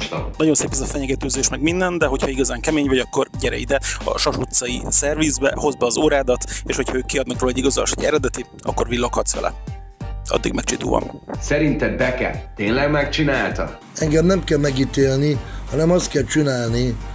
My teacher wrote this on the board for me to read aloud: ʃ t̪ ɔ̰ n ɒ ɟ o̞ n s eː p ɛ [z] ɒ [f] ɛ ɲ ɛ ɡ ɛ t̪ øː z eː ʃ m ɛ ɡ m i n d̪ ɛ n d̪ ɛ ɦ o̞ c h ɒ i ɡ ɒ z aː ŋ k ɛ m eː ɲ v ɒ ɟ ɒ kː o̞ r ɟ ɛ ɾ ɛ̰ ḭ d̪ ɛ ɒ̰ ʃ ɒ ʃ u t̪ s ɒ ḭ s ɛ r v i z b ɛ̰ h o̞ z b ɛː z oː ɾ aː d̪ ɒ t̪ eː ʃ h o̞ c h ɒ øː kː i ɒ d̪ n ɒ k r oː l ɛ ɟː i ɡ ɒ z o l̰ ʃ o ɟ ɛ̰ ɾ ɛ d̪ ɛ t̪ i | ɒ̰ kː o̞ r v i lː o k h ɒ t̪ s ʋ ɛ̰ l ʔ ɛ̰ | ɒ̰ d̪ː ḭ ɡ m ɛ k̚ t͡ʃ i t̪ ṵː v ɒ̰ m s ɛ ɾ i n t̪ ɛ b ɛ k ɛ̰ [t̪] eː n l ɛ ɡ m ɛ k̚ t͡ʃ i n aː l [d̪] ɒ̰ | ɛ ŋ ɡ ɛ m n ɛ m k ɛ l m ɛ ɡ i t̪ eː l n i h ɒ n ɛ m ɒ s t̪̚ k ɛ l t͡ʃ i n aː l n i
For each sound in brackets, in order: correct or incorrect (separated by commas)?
correct, correct, correct, incorrect